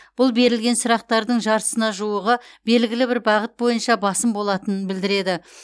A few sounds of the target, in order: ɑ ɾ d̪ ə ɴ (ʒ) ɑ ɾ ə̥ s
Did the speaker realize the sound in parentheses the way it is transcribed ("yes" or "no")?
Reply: yes